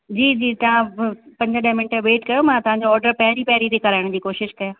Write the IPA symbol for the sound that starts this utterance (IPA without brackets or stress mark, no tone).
d͡ʑ